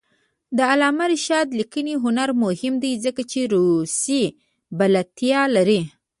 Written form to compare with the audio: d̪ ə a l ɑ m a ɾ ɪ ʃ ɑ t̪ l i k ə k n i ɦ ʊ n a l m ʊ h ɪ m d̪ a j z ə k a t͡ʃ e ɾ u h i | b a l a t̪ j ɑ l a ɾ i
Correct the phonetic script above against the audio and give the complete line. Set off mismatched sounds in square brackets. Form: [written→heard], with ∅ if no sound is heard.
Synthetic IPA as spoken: d̪ ə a l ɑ m a ɾ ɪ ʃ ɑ [t̪→d̪] l i k ə [k→∅] n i ɦ ʊ n a [l→ɾ] m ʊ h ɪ m d̪ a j z ə k a t͡ʃ e ɾ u [h→s] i | b a l a t̪ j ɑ l a ɾ i